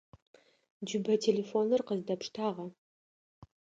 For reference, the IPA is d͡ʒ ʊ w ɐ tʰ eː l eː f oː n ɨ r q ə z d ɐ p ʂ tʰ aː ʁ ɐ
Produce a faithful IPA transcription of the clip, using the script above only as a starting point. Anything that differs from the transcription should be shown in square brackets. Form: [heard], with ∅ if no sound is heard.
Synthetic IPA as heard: d͡ʒ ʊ [b] ɐ tʰ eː l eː f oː n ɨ r q ə z d ɐ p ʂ tʰ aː ʁ ɐ